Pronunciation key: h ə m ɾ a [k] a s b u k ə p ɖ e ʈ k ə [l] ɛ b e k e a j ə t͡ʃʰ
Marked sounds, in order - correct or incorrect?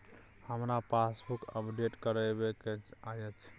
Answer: incorrect, incorrect

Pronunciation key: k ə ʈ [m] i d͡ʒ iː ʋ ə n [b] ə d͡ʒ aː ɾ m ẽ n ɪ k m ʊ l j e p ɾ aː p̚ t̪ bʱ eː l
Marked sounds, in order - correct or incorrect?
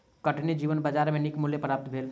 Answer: incorrect, correct

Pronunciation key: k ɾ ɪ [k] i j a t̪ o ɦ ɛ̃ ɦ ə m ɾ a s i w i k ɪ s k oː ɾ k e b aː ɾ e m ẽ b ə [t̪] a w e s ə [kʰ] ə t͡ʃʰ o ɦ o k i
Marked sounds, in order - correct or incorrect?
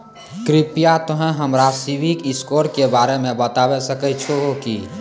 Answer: incorrect, correct, incorrect

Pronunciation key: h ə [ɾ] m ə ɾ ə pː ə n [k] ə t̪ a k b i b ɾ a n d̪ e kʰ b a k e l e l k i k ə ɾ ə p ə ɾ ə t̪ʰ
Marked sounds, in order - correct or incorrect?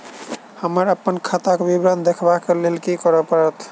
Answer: incorrect, incorrect

